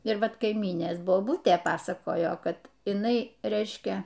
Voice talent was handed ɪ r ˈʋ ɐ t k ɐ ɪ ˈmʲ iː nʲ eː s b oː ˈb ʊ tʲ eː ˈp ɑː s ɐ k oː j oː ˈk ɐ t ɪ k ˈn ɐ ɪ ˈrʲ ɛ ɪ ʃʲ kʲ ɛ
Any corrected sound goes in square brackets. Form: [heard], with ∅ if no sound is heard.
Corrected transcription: ɪ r ˈʋ ɐ t k ɐ ɪ ˈmʲ iː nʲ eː s b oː ˈb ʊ tʲ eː ˈp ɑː s ɐ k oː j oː ˈk ɐ t ɪ [∅] ˈn ɐ ɪ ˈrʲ ɛ ɪ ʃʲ kʲ ɛ